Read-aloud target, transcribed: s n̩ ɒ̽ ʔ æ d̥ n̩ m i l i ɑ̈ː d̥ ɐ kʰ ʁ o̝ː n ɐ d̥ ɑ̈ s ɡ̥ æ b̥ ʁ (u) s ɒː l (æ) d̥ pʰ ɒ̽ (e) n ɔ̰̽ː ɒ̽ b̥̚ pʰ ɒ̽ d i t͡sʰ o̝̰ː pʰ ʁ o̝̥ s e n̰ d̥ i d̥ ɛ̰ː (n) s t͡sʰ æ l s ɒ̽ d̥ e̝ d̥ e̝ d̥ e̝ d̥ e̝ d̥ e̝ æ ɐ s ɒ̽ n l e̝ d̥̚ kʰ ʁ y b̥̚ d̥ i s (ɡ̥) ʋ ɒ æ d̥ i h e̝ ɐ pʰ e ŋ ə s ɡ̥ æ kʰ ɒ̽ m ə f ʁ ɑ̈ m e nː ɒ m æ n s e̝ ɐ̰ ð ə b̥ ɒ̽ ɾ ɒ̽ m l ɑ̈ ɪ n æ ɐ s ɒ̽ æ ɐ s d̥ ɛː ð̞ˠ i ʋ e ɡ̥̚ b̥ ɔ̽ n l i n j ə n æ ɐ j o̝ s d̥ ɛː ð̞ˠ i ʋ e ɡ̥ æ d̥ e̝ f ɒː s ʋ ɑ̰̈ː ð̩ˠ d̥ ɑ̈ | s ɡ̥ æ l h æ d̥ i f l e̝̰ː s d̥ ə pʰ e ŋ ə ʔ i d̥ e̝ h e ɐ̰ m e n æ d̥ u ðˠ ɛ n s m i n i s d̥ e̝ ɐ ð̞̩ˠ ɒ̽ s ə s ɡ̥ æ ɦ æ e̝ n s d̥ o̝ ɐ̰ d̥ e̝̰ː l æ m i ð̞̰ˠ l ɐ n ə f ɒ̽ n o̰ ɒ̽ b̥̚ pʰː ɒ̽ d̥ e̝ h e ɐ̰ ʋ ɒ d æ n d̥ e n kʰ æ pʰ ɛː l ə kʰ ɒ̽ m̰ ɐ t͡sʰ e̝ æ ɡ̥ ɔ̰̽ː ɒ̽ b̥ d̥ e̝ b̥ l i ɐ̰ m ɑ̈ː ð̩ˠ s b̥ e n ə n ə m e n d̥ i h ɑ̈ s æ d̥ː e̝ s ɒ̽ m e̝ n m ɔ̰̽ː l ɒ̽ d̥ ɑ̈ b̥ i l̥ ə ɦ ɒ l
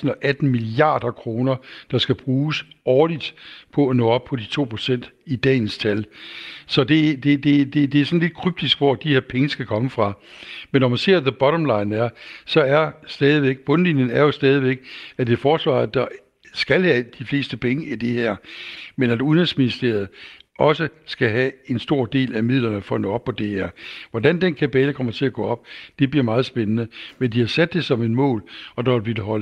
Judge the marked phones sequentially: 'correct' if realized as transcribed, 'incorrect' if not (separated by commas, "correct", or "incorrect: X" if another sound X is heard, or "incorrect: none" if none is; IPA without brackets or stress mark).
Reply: incorrect: uː, incorrect: i, incorrect: æ, correct, correct